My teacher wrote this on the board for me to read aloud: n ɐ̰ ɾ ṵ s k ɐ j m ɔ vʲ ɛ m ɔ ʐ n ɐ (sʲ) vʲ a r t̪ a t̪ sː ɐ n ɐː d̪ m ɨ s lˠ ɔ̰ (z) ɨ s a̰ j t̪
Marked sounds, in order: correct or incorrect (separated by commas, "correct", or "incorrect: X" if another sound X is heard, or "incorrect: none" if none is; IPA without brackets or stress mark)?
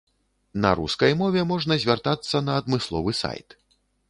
incorrect: zʲ, incorrect: v